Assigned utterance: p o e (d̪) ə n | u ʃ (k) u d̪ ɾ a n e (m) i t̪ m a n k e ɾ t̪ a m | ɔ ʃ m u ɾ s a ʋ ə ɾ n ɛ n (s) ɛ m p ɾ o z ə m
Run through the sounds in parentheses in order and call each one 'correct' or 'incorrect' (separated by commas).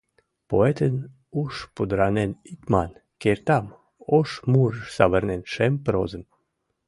incorrect, incorrect, incorrect, incorrect